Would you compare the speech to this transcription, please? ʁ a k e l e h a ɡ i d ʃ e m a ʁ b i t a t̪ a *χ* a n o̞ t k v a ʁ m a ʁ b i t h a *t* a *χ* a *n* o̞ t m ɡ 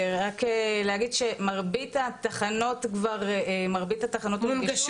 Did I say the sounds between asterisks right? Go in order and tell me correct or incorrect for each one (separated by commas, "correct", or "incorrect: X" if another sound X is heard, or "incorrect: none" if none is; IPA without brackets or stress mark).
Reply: correct, correct, correct, correct